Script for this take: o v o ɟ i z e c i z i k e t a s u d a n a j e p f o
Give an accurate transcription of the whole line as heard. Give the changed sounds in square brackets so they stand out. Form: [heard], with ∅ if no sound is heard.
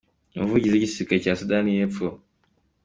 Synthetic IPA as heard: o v [u] ɟ i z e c i [s] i k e [c] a s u d a n [i] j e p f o